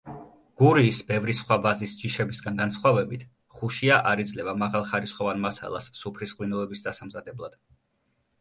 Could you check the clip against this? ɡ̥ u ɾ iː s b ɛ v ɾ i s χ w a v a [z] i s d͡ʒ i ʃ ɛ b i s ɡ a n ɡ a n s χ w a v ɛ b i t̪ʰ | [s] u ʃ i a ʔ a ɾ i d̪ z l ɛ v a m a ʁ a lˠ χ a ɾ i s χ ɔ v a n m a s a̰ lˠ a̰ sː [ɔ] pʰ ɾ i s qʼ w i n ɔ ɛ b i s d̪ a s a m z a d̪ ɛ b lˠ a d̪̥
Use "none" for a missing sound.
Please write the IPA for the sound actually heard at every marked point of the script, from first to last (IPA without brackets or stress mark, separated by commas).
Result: z, χ, u